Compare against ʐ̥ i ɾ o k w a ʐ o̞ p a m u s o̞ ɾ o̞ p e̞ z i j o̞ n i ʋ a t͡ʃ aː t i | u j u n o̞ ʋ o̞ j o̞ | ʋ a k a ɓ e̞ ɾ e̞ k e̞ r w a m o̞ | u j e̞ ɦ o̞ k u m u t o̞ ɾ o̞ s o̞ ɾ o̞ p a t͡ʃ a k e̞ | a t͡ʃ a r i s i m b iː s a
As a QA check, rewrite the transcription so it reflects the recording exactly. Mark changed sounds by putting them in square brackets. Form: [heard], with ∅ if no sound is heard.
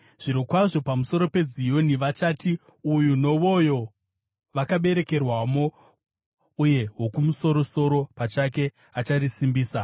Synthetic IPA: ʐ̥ i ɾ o k w a ʐ o̞ p a m u s o̞ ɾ o̞ p e̞ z i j o̞ n i ʋ a t͡ʃ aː t i | u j u n o̞ ʋ o̞ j o̞ | ʋ a k a ɓ e̞ ɾ e̞ k e̞ r w a m o̞ | u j e̞ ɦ o̞ k u m u [s] o̞ ɾ o̞ s o̞ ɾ o̞ p a t͡ʃ a k e̞ | a t͡ʃ a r i s i m b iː s a